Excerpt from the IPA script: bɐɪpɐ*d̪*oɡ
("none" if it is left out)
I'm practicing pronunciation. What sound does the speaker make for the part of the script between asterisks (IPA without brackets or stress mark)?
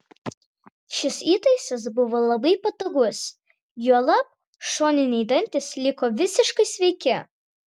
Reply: t̪